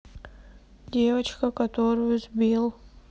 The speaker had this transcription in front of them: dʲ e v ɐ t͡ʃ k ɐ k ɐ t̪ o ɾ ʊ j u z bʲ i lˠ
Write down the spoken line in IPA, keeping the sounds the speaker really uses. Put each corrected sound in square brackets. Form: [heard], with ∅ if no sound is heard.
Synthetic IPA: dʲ e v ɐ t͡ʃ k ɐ k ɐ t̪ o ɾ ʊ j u z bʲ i lˠ